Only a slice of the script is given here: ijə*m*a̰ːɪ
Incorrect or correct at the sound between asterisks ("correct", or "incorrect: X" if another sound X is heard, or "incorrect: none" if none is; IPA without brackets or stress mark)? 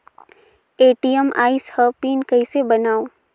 correct